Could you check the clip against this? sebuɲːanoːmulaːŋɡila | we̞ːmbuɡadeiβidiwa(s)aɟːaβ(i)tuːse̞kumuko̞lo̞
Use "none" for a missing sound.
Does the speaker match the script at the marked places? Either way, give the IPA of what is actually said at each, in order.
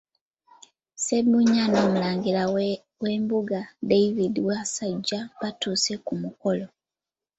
s, a

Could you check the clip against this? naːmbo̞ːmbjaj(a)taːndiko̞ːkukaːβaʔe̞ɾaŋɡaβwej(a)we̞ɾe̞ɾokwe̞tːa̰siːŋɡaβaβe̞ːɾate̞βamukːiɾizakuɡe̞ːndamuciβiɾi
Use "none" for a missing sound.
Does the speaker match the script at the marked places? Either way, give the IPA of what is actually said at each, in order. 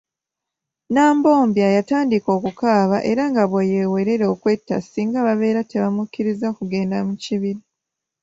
a, e

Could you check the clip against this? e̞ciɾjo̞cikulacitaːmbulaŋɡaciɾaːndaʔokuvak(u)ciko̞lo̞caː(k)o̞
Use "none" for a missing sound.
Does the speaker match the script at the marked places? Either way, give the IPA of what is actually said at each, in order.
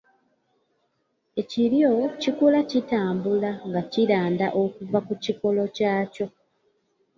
u, c

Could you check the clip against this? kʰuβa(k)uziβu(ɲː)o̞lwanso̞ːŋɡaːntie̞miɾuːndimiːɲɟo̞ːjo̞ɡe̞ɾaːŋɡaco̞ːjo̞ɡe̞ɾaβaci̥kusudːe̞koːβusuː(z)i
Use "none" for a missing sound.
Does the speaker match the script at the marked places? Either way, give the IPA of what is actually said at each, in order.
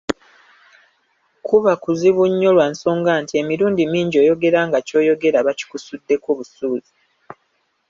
k, ɲː, z

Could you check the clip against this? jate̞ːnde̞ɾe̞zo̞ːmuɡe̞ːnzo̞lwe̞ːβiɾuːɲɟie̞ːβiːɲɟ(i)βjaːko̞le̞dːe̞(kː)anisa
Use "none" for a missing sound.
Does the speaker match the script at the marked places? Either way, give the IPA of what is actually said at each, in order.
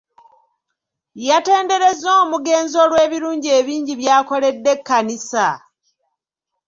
i, kː

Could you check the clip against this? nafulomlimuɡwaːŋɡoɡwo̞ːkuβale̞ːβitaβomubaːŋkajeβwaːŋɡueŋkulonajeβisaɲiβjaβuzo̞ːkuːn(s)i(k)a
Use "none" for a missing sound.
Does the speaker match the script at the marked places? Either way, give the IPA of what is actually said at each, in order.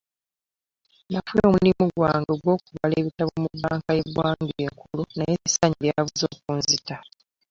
z, t

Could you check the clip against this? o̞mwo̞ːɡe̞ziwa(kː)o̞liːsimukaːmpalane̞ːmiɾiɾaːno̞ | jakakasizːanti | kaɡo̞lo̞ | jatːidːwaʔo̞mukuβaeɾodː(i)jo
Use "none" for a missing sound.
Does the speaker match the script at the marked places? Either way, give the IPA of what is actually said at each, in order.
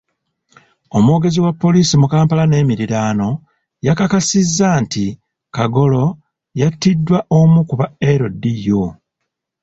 pː, i

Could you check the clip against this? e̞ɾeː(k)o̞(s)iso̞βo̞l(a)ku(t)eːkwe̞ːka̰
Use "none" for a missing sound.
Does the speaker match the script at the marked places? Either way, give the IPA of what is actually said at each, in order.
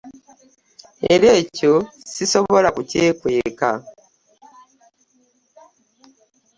c, s, a, c

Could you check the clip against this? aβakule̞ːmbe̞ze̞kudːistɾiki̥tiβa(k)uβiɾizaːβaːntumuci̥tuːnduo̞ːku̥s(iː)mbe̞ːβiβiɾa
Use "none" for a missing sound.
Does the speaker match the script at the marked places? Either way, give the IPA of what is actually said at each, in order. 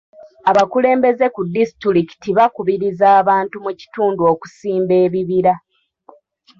k, iː

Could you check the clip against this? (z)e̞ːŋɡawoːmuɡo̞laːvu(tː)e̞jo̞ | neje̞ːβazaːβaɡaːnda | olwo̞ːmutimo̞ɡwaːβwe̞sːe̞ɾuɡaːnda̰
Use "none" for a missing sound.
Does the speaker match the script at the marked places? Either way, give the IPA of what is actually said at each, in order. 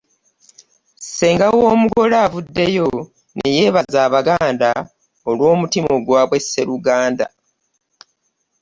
s, dː

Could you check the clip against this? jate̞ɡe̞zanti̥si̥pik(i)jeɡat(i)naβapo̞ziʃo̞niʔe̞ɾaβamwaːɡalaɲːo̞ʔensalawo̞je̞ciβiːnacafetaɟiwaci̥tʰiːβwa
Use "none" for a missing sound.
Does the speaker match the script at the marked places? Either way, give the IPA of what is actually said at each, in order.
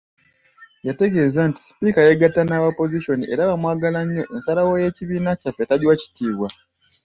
a, a

